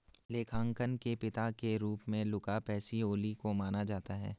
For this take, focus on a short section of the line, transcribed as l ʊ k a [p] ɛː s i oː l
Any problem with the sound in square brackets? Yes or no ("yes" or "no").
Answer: no